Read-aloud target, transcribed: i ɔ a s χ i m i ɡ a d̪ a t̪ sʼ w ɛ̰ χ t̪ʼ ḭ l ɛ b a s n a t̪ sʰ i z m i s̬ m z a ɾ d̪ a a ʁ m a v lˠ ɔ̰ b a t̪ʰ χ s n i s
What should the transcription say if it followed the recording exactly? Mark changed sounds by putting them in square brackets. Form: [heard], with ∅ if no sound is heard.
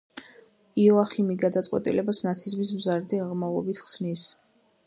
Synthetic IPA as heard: i ɔ a [∅] χ i m i ɡ a d̪ a t̪ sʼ w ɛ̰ [∅] t̪ʼ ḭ l ɛ b a s n a t̪ sʰ i z m i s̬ m z a ɾ d̪ [i] a ʁ m a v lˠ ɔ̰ b [i] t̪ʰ χ s n i s

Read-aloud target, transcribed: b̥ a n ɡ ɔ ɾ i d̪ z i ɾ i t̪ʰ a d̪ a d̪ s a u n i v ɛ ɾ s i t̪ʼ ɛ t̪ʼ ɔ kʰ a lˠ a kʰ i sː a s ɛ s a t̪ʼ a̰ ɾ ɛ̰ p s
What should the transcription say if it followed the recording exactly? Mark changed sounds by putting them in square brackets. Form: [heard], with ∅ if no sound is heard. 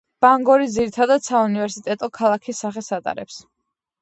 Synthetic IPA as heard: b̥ a [ŋ] ɡ ɔ ɾ i d̪ z i ɾ i t̪ʰ a d̪ a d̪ s a u n i v ɛ ɾ s i t̪ʼ ɛ t̪ʼ ɔ kʰ a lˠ a kʰ i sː a [χ] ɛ s a t̪ʼ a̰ ɾ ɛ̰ p s

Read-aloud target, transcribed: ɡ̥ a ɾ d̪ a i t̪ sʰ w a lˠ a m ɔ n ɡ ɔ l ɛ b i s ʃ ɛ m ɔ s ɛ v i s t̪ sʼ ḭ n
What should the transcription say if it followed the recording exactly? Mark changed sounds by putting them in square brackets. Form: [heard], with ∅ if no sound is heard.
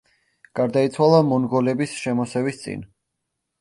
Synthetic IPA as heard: ɡ̥ a ɾ d̪ a i t̪ sʰ w a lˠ a m ɔ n ɡ ɔ l ɛ b i s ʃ ɛ m ɔ s ɛ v i s t̪ sʼ ḭ n

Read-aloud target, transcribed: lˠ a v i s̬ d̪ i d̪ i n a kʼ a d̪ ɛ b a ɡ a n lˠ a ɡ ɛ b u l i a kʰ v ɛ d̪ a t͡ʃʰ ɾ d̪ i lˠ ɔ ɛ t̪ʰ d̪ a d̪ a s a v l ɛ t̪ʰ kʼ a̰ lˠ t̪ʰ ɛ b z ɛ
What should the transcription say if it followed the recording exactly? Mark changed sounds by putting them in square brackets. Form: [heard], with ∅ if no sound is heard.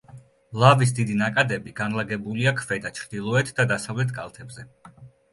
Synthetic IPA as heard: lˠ a v i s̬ d̪ i d̪ i n a kʼ a d̪ ɛ b [i] ɡ a n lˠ a ɡ ɛ b u l i a kʰ v ɛ d̪ a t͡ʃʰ ɾ d̪ i lˠ ɔ ɛ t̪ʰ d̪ a d̪ a s a v l ɛ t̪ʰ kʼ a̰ lˠ t̪ʰ ɛ b z ɛ

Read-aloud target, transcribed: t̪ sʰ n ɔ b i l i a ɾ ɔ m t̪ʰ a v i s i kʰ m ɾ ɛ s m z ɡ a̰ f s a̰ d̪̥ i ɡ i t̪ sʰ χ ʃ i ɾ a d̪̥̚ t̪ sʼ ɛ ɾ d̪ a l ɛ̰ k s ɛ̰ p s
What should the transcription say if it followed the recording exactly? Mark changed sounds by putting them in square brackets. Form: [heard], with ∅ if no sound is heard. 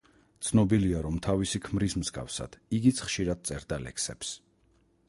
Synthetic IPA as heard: t̪ sʰ n ɔ b i l i a ɾ ɔ m t̪ʰ a v i s i kʰ m ɾ [i] s m z ɡ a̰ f s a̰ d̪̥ i ɡ i t̪ sʰ χ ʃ i ɾ a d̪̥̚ t̪ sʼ ɛ ɾ d̪ a l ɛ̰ k s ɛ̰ p s

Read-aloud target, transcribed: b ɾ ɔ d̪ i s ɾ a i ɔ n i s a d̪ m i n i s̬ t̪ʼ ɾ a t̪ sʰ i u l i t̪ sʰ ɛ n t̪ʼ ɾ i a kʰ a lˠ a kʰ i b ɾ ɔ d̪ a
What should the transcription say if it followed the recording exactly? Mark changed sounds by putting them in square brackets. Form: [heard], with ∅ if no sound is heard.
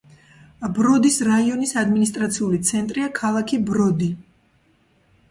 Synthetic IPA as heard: b ɾ ɔ d̪ i s ɾ a i ɔ n i s a d̪ m i n i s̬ t̪ʼ ɾ a t̪ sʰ i u l i t̪ sʰ ɛ n t̪ʼ ɾ i a kʰ a lˠ a kʰ i b ɾ ɔ d̪ [i]

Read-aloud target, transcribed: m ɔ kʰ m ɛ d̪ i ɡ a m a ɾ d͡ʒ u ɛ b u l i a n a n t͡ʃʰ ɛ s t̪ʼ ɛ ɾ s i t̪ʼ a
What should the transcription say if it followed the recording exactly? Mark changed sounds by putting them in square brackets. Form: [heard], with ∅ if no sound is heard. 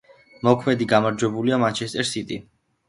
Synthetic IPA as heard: m ɔ kʰ m ɛ d̪ i ɡ a m a ɾ d͡ʒ [w] ɛ b u l i a [m] a n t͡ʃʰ ɛ s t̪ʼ ɛ ɾ s i t̪ʼ [i]

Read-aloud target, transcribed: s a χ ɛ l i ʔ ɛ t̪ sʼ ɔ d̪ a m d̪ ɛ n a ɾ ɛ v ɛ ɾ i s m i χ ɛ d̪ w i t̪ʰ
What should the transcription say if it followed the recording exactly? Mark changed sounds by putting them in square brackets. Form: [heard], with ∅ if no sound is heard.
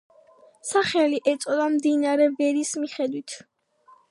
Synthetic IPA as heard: s a χ ɛ l i ʔ ɛ t̪ sʼ ɔ d̪ a m d̪ [i] n a ɾ ɛ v ɛ ɾ i s m i χ ɛ d̪ w i t̪ʰ

